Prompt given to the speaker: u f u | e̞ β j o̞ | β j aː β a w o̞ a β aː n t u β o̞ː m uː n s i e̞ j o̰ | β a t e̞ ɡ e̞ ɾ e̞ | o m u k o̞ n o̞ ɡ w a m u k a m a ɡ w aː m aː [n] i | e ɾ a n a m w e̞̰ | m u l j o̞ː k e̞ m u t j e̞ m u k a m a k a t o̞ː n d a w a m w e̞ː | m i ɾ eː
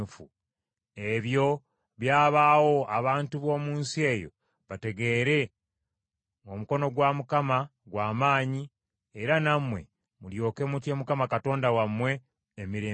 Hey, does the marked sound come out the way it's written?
no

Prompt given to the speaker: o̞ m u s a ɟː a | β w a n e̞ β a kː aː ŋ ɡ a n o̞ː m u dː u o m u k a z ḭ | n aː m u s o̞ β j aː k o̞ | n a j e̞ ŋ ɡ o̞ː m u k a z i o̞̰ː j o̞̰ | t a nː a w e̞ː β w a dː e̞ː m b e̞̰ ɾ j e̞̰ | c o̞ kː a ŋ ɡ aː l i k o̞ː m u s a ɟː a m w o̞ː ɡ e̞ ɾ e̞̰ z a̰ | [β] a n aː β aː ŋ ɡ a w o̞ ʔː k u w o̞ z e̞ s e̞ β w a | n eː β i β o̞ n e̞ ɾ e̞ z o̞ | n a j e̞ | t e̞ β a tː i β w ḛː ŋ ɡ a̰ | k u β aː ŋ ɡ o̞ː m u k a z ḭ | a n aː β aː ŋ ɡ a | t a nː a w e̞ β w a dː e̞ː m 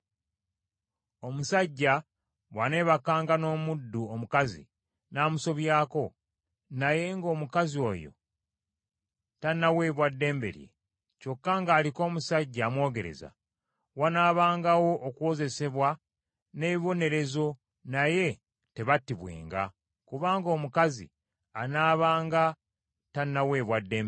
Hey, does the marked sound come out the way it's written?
no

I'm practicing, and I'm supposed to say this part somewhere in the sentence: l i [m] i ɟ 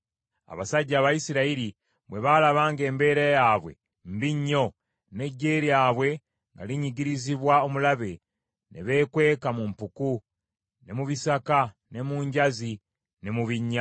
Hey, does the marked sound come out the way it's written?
no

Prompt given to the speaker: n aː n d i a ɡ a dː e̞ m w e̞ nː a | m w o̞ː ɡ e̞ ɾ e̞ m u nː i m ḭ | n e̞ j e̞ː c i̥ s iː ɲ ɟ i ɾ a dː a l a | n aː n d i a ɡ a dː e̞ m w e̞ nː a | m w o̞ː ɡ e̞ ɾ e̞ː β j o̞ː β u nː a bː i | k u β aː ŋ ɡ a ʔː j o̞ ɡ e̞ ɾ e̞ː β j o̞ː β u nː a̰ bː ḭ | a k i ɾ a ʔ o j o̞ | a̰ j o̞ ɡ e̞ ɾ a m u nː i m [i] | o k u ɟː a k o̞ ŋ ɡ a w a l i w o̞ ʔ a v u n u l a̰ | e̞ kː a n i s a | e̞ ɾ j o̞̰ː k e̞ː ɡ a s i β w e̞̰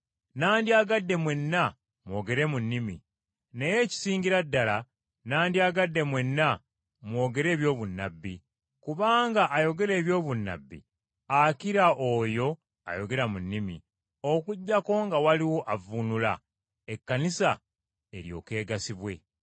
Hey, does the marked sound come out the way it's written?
yes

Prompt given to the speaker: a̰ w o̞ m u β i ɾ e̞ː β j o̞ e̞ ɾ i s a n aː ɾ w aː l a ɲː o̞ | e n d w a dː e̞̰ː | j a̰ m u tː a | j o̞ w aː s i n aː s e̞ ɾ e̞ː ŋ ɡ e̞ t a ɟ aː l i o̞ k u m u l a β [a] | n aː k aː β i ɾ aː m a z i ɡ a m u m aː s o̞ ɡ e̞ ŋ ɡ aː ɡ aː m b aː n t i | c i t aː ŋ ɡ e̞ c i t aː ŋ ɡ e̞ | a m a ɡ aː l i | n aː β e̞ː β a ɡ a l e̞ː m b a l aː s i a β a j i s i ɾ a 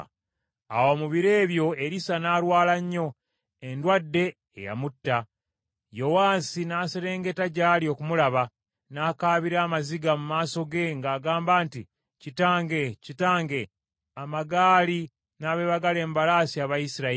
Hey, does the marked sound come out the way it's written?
yes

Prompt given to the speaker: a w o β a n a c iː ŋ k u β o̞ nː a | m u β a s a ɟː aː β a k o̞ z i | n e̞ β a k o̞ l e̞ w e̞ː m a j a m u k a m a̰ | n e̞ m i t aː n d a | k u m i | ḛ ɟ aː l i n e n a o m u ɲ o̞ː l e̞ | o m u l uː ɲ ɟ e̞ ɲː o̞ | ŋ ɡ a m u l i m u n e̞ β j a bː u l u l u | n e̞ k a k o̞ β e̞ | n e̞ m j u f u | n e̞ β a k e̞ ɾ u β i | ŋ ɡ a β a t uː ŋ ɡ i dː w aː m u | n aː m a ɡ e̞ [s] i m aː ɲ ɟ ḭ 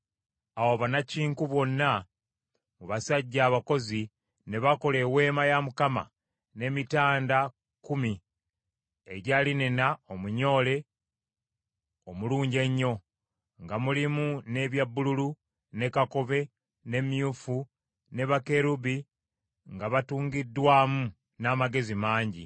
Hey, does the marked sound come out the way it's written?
no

